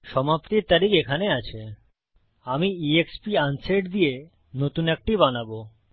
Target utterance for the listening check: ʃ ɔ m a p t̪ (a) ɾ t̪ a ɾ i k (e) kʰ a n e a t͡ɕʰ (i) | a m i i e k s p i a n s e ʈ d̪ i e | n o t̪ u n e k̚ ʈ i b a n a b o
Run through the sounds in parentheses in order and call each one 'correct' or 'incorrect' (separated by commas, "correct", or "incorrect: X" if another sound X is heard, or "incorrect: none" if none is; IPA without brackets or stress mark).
incorrect: i, correct, incorrect: e